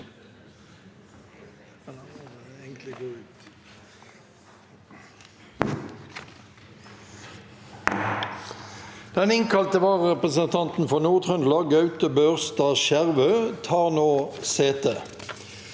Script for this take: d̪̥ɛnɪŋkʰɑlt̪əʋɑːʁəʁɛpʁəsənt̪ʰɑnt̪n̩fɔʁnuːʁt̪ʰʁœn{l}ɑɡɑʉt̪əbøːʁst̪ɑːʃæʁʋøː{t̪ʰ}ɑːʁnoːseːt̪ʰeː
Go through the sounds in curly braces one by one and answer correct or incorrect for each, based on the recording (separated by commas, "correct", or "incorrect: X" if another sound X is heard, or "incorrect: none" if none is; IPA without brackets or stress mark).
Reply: correct, correct